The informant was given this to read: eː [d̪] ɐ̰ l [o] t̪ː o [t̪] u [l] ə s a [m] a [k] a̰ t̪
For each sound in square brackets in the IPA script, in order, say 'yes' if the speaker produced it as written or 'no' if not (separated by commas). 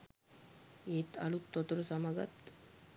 no, no, yes, no, yes, no